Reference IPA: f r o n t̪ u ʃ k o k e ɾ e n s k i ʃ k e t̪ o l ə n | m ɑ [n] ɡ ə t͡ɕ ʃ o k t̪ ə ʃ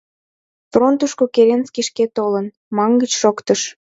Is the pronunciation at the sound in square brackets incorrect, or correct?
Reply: incorrect